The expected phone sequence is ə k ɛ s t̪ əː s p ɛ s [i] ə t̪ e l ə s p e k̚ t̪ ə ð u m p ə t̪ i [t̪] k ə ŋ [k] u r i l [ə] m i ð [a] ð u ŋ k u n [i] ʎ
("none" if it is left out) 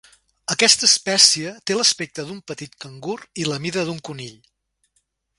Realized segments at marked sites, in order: i, t̪, ɡ, ə, ə, i

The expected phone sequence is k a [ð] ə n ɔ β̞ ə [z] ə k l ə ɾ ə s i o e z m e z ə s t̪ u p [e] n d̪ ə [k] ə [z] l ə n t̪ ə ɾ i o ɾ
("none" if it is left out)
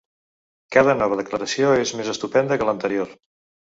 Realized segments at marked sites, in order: ð, ð, ɛ, k, none

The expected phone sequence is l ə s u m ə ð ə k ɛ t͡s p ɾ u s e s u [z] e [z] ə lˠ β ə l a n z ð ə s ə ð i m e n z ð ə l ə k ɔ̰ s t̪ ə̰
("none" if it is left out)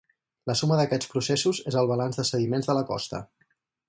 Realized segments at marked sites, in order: z, z

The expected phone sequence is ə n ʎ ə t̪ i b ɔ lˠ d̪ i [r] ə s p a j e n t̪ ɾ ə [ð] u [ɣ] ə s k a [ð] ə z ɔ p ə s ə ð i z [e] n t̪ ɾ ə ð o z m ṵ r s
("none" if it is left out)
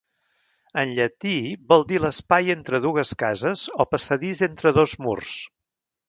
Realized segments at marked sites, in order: l, ð, ɣ, z, e

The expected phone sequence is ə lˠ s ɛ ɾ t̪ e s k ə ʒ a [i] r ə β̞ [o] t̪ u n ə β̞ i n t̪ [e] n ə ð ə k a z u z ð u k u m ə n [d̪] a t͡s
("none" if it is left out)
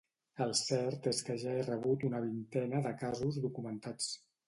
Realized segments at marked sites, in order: e, u, ɛ, t̪

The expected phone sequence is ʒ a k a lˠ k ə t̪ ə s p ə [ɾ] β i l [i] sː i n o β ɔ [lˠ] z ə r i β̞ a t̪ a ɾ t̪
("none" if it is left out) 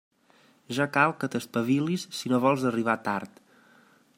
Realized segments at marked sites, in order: none, i, lˠ

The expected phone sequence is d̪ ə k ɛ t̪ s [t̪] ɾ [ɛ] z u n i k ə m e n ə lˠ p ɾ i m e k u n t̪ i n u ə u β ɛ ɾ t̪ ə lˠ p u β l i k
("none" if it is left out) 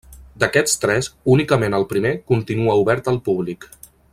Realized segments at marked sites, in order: t̪, ɛ

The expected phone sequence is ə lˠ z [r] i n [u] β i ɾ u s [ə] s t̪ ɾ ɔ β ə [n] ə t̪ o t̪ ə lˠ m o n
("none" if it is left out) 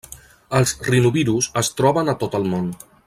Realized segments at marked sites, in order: r, u, ə, n

